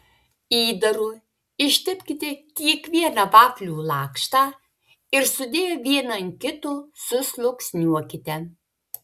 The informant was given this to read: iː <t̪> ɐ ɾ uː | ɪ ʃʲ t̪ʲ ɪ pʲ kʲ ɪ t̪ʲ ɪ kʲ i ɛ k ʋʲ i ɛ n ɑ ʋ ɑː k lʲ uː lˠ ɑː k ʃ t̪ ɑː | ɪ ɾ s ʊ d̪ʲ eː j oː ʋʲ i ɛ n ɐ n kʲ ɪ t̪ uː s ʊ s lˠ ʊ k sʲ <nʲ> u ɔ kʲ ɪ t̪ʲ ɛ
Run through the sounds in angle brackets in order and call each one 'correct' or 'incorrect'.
incorrect: d̪, correct

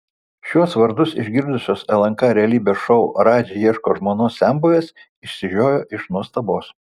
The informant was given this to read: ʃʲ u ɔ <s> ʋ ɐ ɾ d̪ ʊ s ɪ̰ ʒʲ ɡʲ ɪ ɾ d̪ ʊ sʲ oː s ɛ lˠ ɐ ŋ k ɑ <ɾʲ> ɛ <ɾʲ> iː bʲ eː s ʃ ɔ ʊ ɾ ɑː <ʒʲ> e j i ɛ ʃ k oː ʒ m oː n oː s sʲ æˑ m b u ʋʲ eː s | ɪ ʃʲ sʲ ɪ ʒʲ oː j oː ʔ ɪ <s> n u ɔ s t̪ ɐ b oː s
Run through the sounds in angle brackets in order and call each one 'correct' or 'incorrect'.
correct, correct, incorrect: lʲ, incorrect: d͡ʒʲ, incorrect: ʃ

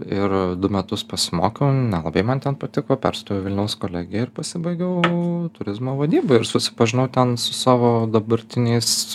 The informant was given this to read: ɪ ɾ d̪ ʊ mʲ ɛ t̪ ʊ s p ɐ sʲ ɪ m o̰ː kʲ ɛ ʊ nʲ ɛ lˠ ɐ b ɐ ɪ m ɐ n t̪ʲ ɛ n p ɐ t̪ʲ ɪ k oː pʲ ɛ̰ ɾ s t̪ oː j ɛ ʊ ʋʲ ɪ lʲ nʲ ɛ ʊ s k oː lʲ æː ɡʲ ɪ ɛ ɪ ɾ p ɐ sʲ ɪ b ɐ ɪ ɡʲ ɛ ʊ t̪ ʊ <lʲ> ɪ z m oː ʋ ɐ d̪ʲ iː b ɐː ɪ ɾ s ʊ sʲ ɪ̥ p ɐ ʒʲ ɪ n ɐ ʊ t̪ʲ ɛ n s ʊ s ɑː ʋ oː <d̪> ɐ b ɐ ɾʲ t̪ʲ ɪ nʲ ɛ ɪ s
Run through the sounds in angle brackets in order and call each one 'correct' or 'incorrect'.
incorrect: ɾʲ, correct

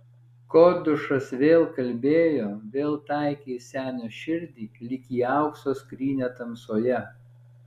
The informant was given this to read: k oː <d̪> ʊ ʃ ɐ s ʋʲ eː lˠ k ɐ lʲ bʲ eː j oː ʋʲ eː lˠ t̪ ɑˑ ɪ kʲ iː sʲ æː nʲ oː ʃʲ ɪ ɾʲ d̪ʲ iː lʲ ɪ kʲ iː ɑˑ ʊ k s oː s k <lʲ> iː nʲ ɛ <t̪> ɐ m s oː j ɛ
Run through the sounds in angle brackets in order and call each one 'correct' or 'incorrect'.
correct, incorrect: ɾʲ, correct

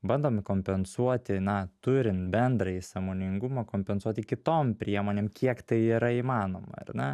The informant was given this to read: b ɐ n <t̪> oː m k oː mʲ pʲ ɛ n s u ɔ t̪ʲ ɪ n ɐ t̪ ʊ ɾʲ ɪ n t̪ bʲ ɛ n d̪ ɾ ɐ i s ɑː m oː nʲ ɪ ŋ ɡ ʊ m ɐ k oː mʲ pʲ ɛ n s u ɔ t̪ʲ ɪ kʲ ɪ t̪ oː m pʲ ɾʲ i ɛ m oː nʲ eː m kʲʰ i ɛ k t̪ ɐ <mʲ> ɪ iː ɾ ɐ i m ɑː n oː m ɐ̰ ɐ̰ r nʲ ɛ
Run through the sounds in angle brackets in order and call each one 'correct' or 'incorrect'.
incorrect: d̪, incorrect: none

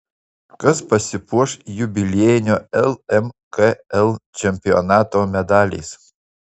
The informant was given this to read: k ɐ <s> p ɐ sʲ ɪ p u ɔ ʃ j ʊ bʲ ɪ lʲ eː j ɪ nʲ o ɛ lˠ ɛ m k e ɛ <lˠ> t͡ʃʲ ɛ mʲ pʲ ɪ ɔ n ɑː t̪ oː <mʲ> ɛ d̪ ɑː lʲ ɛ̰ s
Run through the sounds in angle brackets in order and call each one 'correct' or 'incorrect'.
correct, correct, correct

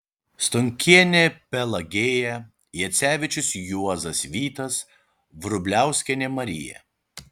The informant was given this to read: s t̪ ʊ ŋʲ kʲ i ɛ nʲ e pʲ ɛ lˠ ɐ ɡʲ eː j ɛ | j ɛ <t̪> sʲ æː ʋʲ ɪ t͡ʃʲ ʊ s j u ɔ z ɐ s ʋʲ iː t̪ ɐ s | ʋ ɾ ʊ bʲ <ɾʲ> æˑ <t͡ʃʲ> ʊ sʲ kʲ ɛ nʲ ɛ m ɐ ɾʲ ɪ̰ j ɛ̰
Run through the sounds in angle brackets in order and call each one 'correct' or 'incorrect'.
correct, incorrect: lʲ, incorrect: none

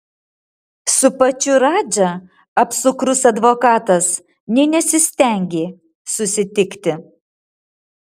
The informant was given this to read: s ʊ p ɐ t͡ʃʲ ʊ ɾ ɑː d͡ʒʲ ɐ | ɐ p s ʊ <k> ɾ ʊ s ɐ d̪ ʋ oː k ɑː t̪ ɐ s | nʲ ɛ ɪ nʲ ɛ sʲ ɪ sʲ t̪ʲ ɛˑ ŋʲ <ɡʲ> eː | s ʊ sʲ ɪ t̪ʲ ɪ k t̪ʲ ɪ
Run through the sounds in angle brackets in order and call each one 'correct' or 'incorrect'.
correct, correct

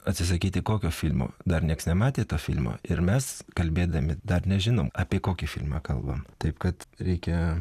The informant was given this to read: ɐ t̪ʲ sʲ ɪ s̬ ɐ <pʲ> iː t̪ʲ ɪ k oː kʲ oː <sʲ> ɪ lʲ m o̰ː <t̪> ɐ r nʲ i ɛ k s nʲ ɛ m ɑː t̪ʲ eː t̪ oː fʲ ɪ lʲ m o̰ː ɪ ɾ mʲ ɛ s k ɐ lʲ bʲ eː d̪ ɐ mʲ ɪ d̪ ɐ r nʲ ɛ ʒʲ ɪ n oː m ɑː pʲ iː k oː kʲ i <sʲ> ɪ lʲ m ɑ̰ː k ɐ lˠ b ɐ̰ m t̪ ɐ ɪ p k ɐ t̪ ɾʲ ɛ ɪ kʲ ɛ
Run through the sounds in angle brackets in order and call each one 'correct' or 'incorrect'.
incorrect: kʲ, incorrect: fʲ, incorrect: d̪, incorrect: fʲ

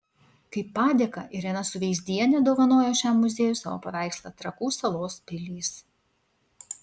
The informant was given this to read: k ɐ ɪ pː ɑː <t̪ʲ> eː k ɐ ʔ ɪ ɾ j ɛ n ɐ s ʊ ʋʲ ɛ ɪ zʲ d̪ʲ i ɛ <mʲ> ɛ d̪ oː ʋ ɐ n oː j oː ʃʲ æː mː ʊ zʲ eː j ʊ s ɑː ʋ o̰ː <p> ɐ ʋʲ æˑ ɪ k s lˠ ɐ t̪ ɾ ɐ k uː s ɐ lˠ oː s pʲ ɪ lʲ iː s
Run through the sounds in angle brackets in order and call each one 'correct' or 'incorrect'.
incorrect: d̪ʲ, incorrect: nʲ, correct

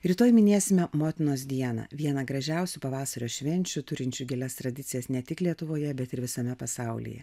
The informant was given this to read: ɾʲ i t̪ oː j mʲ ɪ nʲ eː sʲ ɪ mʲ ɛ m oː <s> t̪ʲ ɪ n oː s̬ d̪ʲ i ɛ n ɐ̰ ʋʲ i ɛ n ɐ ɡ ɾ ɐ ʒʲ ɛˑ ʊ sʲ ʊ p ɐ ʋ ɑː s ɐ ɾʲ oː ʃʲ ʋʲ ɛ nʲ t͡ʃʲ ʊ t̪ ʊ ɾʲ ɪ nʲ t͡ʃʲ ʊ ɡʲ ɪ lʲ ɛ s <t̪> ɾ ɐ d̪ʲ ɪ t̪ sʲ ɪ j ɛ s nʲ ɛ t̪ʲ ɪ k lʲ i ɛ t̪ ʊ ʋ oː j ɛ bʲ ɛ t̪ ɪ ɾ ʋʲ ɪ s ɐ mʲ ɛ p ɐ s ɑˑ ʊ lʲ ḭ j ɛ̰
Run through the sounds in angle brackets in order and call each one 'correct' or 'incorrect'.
incorrect: none, correct

